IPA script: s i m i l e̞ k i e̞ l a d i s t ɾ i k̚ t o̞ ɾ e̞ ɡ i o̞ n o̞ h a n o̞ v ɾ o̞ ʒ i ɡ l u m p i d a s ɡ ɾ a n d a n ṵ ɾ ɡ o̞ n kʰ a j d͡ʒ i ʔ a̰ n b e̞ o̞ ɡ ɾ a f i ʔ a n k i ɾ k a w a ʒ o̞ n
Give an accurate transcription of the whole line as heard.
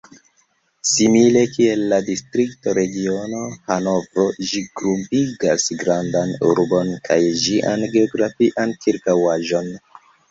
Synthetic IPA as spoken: s i m i l e̞ k i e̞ lː a d i s t ɾ i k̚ t o̞ ɾ e̞ ɡ i o̞ n o̞ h a n o̞ v ɾ o̞ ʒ i ɡ ɾ u m p i ɡ a s ɡ ɾ a n d a n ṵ ɾ b o̞ n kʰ a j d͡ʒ i ʔ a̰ n ɡ e̞ o̞ ɡ ɾ a f i ʔ a n k i ɾ k a w a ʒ o̞ n